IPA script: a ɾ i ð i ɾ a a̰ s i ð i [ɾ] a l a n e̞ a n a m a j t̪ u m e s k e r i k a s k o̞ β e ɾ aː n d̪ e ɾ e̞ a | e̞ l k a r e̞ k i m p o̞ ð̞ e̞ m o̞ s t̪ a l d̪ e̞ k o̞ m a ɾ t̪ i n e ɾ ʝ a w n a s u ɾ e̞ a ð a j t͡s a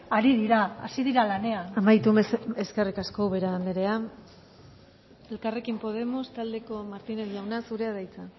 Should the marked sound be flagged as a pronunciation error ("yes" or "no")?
no